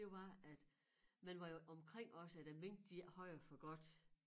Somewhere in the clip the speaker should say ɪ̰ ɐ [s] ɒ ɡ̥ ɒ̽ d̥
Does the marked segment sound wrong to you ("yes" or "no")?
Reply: yes